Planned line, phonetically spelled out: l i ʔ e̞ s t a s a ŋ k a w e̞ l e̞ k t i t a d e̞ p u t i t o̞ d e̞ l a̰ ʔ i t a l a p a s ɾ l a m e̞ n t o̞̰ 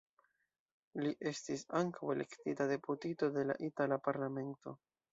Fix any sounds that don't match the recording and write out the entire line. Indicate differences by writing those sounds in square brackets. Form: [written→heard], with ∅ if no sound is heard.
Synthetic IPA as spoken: l i ʔ e̞ s t [a→i] s a ŋ k a w e̞ l e̞ k t i t a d e̞ p u t i t o̞ d e̞ l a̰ ʔ i t a l a p a [s→∅] ɾ l a m e̞ n t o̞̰